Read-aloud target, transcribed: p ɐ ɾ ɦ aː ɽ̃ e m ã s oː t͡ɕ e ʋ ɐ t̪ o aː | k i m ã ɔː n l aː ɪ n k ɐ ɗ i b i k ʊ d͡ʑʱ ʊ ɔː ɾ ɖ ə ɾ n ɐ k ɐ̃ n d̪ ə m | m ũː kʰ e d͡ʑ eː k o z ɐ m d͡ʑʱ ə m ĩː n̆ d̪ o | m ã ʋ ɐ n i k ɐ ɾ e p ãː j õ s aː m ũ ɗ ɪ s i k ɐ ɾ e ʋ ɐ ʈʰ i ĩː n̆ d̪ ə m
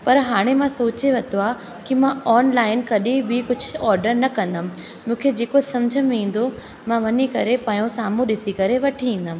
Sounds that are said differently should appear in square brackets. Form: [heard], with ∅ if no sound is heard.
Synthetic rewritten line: p ɐ ɾ ɦ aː ɽ̃ e m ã s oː t͡ɕ e ʋ ɐ t̪ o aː | k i m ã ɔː n l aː ɪ n k ɐ ɗ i b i k ʊ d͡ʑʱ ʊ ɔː ɾ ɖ ə ɾ n ɐ k ɐ̃ n d̪ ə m | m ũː kʰ e d͡ʑ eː k o [s] ɐ m d͡ʑʱ ə m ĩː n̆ d̪ o | m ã ʋ ɐ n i k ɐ ɾ e p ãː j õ s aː m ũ ɗ ɪ s i k ɐ ɾ e ʋ ɐ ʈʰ i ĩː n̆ d̪ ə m

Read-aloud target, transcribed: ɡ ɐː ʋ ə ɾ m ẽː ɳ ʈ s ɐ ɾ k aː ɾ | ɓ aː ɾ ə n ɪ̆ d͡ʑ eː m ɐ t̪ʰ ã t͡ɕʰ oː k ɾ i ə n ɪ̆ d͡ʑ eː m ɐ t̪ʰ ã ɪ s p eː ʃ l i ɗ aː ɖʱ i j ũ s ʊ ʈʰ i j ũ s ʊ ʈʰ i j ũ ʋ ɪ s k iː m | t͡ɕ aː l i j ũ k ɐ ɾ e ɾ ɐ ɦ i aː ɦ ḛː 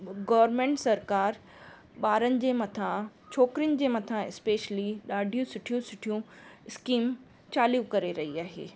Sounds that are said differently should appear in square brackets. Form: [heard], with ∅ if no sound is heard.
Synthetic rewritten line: ɡ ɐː ʋ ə ɾ m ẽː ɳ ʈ s ɐ ɾ k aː ɾ | ɓ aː ɾ ə n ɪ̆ d͡ʑ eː m ɐ t̪ʰ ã t͡ɕʰ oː k ɾ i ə n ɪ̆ d͡ʑ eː m ɐ t̪ʰ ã ɪ s p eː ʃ l i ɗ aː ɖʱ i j ũ s ʊ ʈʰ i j ũ s ʊ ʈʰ i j ũ [∅] ɪ s k iː m | t͡ɕ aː l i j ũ k ɐ ɾ e ɾ ɐ ɦ i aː ɦ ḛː

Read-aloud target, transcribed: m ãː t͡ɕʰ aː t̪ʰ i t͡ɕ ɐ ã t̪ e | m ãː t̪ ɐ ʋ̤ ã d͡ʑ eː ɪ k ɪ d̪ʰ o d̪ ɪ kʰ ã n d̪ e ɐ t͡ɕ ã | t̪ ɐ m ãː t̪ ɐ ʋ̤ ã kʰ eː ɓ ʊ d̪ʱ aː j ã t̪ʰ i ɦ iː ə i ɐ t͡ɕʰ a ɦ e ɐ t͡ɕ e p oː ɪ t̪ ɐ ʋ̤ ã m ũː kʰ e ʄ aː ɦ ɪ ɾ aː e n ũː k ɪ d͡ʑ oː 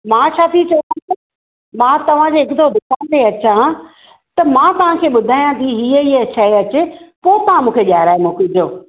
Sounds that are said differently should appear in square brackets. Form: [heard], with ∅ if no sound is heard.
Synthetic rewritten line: m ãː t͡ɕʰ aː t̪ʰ i t͡ɕ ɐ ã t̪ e | m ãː t̪ ɐ ʋ̤ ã d͡ʑ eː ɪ k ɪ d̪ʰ o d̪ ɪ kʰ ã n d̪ e ɐ t͡ɕ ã | t̪ ɐ m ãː t̪ ɐ ʋ̤ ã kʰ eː ɓ ʊ d̪ʱ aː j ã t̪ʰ i ɦ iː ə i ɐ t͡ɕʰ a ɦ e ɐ t͡ɕ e p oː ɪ t̪ ɐ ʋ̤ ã m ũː kʰ e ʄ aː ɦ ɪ ɾ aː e [m] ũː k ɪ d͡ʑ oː

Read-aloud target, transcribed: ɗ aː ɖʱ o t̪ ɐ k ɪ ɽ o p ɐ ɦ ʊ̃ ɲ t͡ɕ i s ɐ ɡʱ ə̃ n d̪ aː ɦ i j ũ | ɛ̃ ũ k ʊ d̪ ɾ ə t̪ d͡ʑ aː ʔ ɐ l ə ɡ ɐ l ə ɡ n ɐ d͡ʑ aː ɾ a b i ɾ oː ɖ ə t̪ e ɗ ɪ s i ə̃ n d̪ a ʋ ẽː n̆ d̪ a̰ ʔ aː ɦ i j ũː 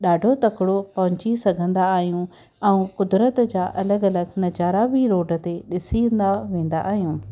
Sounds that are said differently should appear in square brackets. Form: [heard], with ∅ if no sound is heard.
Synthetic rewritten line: ɗ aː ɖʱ o t̪ ɐ k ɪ ɽ o p ɐ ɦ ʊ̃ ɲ t͡ɕ i s ɐ ɡʱ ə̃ n d̪ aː ɦ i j ũ | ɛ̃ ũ k ʊ d̪ ɾ ə t̪ d͡ʑ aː ʔ ɐ l ə ɡ ɐ l ə ɡ n ɐ d͡ʑ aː ɾ a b i ɾ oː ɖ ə t̪ e ɗ ɪ s i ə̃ n d̪ a ʋ ẽː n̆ d̪ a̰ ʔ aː ɦ i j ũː

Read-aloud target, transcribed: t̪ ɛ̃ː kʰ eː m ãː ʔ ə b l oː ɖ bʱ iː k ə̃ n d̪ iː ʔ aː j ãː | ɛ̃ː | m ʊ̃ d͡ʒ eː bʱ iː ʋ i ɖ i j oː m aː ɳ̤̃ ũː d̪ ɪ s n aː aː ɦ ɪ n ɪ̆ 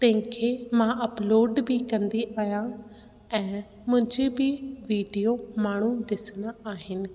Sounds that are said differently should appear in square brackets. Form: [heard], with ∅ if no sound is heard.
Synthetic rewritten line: t̪ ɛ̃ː kʰ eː m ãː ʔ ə [p] l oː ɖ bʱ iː k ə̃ n d̪ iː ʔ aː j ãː | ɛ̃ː | m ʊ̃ d͡ʒ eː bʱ iː ʋ [iː] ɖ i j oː m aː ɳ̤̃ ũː d̪ ɪ s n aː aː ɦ ɪ n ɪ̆

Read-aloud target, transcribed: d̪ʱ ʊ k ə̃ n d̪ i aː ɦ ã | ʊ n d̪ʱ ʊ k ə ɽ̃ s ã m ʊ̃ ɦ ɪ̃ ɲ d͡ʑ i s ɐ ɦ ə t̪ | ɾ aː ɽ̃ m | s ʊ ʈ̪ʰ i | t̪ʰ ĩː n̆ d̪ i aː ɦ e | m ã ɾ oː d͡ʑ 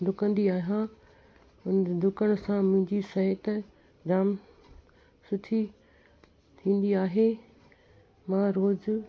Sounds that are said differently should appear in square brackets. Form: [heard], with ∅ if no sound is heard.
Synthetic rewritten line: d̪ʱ ʊ k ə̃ n d̪ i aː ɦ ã | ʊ n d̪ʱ ʊ k ə ɽ̃ s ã m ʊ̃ ɦ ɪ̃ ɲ d͡ʑ i s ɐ ɦ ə t̪ | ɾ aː [∅] m | s ʊ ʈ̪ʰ i | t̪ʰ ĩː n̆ d̪ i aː ɦ e | m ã ɾ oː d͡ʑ

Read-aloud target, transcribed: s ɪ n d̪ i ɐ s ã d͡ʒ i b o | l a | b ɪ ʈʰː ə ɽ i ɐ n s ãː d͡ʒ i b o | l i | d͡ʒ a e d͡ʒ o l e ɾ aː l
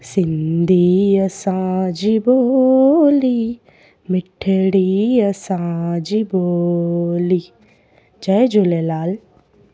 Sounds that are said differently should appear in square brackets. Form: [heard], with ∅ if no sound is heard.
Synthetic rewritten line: s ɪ n d̪ i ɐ s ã d͡ʒ i b o | l [i] | [m] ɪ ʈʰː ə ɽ i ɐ [∅] s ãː d͡ʒ i b o | l i | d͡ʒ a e d͡ʒ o l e [l] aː l

